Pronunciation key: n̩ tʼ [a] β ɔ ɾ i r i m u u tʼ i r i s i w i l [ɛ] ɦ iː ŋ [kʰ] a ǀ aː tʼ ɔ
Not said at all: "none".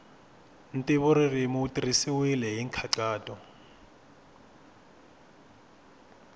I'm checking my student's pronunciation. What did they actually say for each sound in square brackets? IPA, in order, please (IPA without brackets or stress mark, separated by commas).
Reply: i, ɛ, kʰ